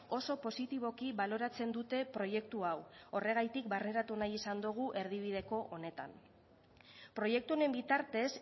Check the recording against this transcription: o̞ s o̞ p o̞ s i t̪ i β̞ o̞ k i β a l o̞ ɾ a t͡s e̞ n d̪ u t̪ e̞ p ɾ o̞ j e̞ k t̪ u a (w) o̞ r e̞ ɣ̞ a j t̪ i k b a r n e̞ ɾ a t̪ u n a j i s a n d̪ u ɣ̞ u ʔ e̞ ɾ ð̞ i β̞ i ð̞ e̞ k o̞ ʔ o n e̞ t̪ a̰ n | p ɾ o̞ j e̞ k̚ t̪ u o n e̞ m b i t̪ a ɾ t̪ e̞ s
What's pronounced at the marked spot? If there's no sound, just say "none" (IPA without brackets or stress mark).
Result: w